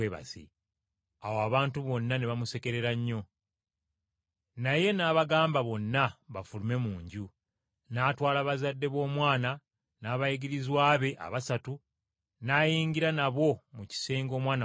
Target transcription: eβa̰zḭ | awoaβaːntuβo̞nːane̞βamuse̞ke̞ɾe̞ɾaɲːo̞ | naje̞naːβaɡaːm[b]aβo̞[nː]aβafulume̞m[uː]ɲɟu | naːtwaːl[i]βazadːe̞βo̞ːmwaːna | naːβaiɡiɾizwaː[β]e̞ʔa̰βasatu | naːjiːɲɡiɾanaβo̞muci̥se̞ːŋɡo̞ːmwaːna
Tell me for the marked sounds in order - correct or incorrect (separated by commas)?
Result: correct, correct, correct, incorrect, correct